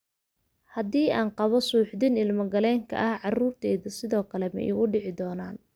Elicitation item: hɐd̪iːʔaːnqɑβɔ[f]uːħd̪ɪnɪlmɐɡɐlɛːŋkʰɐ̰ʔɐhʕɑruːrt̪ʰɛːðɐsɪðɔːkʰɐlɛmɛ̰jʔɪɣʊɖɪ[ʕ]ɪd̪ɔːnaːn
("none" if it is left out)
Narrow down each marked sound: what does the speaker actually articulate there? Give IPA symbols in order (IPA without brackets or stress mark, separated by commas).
s, ʕ